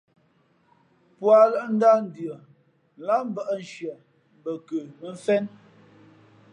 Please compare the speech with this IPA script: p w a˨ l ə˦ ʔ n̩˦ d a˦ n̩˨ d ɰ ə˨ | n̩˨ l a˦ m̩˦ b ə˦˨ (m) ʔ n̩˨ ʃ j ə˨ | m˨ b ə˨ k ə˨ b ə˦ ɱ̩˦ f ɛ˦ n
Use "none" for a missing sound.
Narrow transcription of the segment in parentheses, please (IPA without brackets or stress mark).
none